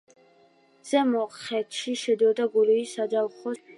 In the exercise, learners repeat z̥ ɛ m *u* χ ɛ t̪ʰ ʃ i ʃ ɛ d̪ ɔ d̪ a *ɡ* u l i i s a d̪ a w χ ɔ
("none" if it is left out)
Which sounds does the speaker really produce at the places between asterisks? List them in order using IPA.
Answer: ɔ, ɡ

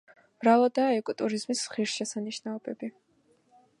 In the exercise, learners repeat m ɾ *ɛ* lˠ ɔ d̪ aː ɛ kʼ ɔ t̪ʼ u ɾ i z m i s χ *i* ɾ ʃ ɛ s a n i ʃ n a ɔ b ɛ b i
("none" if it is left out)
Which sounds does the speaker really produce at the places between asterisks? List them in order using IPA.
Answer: a, i

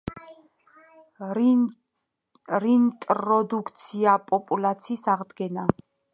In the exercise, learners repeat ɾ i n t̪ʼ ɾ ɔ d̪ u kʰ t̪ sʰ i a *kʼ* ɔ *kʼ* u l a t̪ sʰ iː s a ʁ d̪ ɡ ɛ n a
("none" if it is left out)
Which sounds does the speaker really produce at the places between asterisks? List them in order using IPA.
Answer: pʼ, pʼ

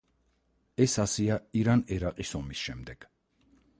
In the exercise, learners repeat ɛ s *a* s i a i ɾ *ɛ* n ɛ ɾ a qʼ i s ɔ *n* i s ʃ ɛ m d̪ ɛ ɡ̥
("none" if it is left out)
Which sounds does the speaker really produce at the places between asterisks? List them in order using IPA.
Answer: a, a, m

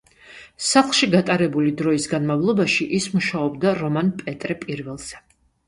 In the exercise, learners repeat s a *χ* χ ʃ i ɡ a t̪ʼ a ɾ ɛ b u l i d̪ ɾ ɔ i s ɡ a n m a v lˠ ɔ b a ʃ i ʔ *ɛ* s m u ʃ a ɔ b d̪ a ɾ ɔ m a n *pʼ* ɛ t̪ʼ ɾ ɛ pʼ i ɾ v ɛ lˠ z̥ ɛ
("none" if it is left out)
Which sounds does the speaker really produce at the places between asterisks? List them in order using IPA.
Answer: χ, i, pʼ

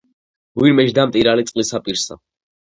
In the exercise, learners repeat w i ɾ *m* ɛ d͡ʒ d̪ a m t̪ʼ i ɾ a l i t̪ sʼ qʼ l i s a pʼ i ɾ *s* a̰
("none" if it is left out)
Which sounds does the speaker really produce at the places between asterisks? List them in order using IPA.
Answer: m, s

